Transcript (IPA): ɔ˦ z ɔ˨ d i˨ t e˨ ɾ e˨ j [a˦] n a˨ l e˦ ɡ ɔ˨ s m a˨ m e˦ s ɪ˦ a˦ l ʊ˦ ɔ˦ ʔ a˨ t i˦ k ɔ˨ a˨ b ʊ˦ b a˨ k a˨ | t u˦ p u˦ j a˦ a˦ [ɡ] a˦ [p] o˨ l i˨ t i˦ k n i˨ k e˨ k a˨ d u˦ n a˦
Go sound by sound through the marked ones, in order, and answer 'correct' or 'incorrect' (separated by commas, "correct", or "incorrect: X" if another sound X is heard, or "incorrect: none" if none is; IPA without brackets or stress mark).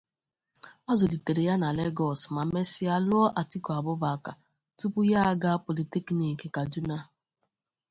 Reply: correct, correct, correct